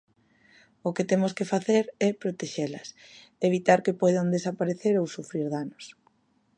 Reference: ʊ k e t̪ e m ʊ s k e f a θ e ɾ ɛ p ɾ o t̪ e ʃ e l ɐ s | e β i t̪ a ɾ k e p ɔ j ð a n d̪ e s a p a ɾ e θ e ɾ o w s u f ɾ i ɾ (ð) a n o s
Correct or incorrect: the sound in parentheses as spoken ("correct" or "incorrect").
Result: correct